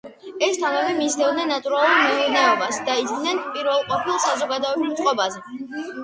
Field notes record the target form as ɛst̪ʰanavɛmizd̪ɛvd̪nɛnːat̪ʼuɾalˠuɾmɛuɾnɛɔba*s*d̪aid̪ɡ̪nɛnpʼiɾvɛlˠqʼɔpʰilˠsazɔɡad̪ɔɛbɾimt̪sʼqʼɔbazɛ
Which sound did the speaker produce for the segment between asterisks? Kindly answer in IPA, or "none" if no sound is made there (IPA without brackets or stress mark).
s